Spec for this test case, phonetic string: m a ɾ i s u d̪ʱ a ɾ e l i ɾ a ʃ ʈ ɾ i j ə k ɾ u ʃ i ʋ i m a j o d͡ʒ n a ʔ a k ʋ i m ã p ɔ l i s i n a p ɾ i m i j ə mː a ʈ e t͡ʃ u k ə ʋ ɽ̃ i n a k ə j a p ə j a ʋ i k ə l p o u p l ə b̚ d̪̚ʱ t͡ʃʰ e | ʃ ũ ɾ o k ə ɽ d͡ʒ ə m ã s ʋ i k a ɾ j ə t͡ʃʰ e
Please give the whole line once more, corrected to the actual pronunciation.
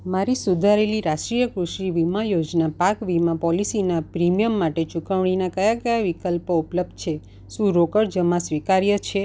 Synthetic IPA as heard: m a ɾ i s u d̪ʱ a ɾ e l i ɾ a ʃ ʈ ɾ i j ə k ɾ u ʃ i ʋ i m a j o d͡ʒ n a p a k ʋ i m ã p ɔ l i s i n a p ɾ i m i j ə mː a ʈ e t͡ʃ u k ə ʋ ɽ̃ i n a k ə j a k ə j a ʋ i k ə l p o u p l ə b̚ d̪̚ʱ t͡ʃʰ e | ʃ ũ ɾ o k ə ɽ d͡ʒ ə m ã s ʋ i k a ɾ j ə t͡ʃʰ e